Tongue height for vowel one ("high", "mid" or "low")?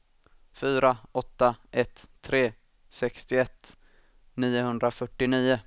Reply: high